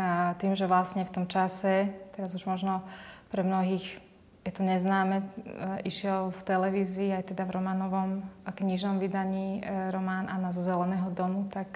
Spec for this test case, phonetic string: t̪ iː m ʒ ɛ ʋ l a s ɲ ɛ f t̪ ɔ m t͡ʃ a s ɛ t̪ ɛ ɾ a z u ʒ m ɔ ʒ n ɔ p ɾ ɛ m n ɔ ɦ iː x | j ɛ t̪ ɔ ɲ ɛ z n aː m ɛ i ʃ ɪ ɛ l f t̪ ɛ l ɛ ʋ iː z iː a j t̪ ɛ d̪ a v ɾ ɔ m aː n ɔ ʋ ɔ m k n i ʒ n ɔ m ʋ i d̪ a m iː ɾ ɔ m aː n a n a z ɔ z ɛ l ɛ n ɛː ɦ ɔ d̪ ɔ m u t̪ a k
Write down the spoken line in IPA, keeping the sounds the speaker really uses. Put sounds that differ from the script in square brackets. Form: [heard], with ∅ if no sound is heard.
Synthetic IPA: t̪ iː m ʒ ɛ ʋ l a s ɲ ɛ f t̪ ɔ m t͡ʃ a s ɛ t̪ ɛ ɾ a z u ʒ m ɔ ʒ n ɔ p ɾ ɛ m n ɔ ɦ iː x | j ɛ t̪ ɔ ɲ ɛ z n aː m ɛ i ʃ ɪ ɛ l f t̪ ɛ l ɛ ʋ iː z iː a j t̪ ɛ d̪ a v ɾ ɔ m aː n ɔ ʋ ɔ m k [ɲ] i ʒ n ɔ m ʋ i d̪ a [ɲ] iː ɾ ɔ m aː n a n a z ɔ z ɛ l ɛ n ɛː ɦ ɔ d̪ ɔ m u t̪ a k